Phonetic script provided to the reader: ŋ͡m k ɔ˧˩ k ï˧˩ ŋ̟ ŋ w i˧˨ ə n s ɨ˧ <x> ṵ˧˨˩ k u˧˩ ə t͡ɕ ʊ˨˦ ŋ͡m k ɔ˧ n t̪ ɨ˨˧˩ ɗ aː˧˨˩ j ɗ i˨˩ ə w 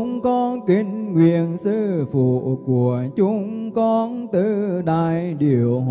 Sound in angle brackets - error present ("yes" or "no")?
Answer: yes